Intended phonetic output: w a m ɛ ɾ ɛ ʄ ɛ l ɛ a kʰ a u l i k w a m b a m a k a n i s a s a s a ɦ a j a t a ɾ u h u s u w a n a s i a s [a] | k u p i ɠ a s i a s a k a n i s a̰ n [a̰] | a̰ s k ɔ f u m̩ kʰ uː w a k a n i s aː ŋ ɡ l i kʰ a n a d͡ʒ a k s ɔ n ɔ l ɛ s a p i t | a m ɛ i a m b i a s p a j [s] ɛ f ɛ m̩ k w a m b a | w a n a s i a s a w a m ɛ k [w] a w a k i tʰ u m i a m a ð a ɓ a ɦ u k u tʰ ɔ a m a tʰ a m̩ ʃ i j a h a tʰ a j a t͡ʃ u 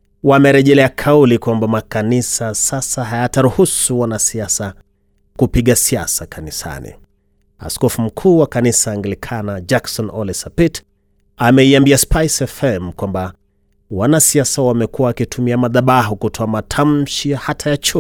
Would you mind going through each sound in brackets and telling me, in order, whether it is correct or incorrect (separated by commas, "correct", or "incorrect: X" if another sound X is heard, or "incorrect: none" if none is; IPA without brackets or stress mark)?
correct, incorrect: ḭ, correct, incorrect: u